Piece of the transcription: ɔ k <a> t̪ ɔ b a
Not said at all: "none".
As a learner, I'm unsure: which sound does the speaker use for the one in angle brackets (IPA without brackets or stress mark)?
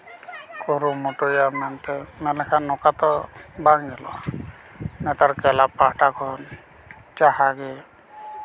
a